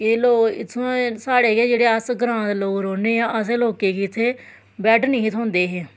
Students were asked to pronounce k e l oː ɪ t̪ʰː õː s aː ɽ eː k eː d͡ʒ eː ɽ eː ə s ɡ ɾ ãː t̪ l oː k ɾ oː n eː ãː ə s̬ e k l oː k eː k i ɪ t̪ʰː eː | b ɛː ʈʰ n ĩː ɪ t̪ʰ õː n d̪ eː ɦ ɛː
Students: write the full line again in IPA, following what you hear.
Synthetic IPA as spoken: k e l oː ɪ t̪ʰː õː s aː ɽ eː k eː d͡ʒ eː ɽ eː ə s ɡ ɾ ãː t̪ l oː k ɾ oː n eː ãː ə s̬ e l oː k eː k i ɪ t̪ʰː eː | b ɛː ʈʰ n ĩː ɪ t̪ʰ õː n d̪ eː ɦ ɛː